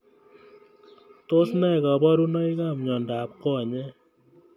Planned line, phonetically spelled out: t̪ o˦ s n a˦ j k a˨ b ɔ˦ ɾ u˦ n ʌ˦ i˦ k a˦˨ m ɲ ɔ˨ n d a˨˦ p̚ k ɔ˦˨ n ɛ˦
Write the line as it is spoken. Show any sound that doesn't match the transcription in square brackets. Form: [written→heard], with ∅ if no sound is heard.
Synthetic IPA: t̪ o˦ s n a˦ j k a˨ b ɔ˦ ɾ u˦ n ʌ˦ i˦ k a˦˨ m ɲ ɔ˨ n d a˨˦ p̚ k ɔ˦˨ [n→ɲ] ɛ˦